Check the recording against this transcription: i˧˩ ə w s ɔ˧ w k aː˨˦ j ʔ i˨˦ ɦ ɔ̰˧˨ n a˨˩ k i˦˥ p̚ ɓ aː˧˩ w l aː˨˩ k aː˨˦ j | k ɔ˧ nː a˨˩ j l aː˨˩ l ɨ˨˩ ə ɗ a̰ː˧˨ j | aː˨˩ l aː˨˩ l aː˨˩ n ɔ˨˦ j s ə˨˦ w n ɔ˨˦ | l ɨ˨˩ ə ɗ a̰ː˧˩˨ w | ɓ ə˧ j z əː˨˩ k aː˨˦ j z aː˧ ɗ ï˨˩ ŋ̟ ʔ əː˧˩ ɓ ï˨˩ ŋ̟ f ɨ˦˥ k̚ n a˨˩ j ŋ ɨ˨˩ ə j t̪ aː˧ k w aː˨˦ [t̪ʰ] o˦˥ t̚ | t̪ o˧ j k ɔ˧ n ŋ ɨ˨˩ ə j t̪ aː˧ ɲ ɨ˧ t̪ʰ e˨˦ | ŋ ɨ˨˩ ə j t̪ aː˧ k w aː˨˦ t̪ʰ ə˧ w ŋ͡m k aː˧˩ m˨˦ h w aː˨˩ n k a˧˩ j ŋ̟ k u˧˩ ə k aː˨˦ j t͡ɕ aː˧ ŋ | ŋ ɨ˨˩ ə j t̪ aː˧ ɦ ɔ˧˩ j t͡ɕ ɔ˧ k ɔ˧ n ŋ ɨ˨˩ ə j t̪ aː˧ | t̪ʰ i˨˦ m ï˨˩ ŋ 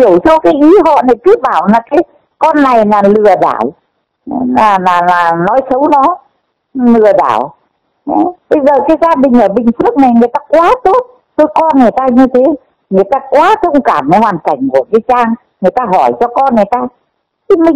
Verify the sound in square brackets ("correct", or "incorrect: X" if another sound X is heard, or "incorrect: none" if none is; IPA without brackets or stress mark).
incorrect: t̪